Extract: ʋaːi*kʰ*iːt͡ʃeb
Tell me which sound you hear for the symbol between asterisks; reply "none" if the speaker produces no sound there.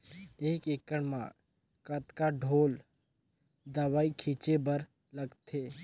kʰ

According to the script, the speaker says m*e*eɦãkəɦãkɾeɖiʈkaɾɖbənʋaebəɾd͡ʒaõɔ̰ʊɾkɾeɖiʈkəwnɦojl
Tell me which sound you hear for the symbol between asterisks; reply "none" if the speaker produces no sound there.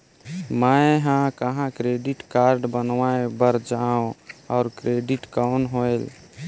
a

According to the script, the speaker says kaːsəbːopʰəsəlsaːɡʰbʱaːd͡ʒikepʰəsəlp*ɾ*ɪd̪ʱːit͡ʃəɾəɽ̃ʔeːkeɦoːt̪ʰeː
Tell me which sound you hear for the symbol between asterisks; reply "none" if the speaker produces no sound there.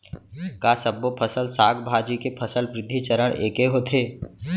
ɾ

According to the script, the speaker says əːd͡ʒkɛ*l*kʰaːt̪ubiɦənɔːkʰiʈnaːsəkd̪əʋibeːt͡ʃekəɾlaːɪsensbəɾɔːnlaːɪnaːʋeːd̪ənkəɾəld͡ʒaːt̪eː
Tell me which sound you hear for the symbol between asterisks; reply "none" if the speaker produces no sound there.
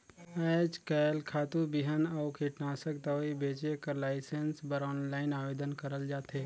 l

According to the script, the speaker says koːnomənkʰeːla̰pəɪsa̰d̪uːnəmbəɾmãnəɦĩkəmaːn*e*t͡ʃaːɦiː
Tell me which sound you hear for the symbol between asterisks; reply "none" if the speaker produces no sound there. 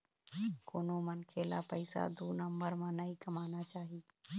a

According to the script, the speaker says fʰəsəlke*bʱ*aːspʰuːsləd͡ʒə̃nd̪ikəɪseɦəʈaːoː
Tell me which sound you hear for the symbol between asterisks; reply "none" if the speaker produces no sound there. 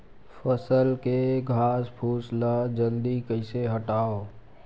ɡʱ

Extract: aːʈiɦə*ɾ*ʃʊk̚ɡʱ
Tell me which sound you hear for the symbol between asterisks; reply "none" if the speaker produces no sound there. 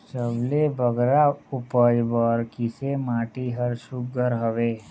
ɾ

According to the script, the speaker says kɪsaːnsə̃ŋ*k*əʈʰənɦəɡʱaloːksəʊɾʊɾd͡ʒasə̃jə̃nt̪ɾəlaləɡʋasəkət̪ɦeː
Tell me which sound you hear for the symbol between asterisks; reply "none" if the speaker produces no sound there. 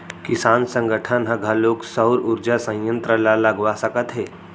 ɡ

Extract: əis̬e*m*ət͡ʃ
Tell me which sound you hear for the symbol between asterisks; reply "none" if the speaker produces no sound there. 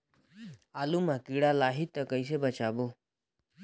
b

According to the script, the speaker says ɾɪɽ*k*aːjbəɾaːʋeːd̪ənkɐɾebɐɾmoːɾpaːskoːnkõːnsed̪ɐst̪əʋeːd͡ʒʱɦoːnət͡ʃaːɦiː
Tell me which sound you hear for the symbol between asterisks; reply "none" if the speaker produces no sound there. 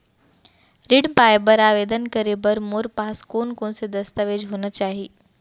p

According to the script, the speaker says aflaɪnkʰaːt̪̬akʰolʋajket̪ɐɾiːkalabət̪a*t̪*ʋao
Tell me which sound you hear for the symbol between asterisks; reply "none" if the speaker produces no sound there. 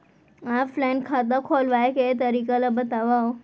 none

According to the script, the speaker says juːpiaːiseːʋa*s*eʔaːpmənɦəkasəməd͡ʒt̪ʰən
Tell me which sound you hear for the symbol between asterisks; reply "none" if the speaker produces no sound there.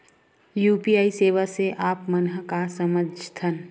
s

